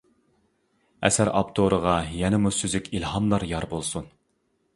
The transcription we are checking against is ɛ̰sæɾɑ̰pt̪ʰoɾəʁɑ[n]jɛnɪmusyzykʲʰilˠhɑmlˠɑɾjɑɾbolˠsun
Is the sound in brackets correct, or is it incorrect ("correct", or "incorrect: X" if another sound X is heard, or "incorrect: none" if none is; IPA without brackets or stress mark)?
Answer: incorrect: none